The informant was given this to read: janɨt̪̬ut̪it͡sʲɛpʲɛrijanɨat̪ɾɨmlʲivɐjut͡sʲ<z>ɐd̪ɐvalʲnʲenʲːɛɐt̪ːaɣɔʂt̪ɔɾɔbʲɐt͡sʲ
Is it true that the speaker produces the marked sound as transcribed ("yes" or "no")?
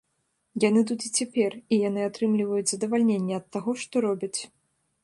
yes